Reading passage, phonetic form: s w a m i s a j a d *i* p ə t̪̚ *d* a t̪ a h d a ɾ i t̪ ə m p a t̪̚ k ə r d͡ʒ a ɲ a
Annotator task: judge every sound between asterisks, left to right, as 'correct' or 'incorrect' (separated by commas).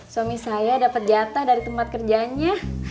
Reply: incorrect, incorrect